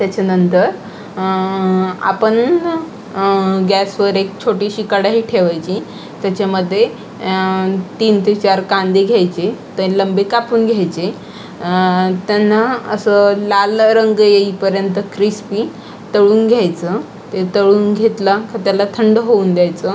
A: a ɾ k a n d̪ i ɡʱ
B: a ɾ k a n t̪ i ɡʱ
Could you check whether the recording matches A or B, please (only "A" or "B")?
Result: A